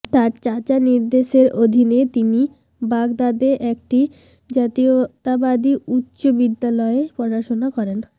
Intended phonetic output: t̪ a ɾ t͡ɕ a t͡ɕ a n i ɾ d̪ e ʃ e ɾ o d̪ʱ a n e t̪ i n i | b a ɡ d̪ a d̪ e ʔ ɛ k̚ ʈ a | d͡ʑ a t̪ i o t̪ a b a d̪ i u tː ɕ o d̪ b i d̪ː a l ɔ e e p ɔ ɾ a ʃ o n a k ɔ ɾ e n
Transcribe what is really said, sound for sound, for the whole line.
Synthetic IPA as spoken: t̪ a ɾ t͡ɕ a t͡ɕ a n i ɾ d̪ e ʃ e ɾ o d̪ʱ i n e t̪ i n i | b a ɡ d̪ a d̪ e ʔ ɛ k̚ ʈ i | d͡ʑ a t̪ i o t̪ a b a d̪ i u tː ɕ o b i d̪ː a l ɔ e e p ɔ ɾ a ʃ o n a k ɔ ɾ e n